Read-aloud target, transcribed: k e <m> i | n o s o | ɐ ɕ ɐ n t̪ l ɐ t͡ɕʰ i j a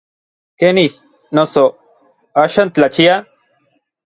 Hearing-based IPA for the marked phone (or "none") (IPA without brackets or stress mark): n